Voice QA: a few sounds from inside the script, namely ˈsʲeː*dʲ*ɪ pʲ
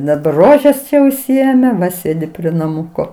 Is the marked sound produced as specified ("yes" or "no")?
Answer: yes